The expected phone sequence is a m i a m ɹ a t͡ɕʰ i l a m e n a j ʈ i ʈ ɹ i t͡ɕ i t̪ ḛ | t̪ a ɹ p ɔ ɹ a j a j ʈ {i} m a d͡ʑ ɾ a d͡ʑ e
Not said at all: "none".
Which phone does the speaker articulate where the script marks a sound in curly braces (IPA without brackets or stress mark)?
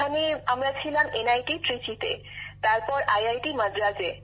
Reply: i